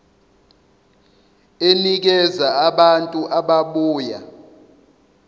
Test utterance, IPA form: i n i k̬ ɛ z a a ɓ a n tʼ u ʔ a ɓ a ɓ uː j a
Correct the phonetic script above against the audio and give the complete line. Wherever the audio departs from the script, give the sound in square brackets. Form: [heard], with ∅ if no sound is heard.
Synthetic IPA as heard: [e] n i k̬ ɛ z a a ɓ a n tʼ u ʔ a ɓ a ɓ uː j a